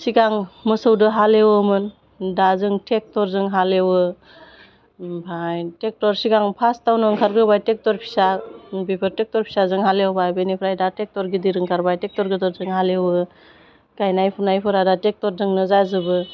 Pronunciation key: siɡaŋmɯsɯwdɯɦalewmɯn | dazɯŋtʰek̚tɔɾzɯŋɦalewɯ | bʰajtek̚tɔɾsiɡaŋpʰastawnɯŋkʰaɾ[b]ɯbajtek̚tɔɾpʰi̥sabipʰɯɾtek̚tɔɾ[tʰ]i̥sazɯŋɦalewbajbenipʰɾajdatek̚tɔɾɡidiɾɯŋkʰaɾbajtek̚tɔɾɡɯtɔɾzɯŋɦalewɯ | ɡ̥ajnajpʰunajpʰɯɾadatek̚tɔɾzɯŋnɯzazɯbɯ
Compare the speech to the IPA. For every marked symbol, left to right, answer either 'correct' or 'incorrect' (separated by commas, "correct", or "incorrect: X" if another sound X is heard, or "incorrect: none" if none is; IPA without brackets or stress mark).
incorrect: ɡ, incorrect: pʰ